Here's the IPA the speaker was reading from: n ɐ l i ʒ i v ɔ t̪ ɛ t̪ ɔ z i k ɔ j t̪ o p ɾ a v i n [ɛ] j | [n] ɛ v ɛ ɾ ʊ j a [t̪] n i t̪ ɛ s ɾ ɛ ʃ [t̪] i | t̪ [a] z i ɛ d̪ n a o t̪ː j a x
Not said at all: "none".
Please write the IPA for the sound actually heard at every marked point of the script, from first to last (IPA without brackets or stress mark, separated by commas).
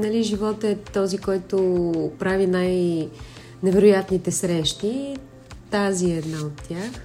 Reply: a, n, t̪, t̪, a